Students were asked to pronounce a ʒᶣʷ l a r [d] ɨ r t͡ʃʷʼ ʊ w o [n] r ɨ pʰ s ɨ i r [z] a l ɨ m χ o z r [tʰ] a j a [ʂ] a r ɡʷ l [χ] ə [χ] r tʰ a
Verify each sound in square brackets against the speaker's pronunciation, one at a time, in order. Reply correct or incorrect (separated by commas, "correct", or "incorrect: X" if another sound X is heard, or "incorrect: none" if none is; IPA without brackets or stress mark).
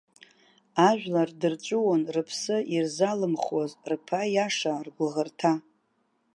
correct, correct, correct, incorrect: pʰ, correct, incorrect: ʁ, incorrect: none